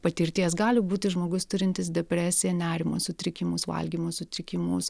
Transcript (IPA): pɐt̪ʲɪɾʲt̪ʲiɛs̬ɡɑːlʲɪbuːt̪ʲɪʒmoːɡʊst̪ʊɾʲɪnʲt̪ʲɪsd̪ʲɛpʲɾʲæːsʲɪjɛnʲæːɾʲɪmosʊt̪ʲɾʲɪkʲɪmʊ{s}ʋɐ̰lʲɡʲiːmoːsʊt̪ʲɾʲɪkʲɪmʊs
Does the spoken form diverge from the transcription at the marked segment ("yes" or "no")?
no